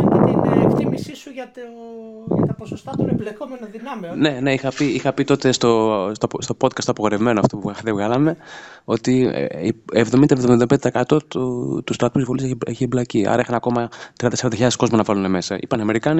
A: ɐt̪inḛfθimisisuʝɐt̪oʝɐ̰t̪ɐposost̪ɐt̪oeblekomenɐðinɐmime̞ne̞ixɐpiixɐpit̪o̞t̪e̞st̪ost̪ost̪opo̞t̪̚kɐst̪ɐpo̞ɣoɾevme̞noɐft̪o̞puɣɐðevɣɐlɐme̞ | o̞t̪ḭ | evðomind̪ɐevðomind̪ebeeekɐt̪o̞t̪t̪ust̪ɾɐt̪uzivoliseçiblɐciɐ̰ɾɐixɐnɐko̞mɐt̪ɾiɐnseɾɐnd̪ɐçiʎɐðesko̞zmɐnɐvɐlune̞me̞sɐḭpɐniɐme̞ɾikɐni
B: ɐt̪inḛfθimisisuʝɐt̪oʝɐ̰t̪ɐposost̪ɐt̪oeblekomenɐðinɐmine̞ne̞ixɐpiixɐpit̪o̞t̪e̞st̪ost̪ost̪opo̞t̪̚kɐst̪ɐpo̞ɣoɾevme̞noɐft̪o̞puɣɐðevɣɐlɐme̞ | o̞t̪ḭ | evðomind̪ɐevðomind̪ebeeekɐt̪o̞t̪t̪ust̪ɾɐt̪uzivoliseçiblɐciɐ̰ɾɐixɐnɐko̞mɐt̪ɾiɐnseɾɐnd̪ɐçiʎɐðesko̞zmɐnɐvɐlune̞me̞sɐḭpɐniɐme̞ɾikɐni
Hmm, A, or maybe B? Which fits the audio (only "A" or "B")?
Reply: B